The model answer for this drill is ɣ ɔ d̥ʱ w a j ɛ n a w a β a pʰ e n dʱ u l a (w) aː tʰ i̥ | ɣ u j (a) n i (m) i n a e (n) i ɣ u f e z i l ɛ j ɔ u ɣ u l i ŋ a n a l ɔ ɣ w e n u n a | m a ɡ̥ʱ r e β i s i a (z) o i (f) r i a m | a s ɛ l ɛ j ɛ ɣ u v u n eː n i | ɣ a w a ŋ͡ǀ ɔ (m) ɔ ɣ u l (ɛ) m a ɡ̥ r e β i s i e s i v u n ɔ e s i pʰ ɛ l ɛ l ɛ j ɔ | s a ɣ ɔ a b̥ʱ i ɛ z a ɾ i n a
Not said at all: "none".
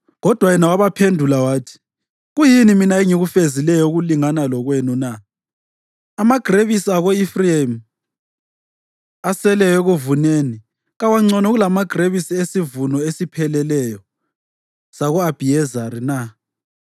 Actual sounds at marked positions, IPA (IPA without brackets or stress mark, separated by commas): w, i, m, ŋ, ɣ, f, n, a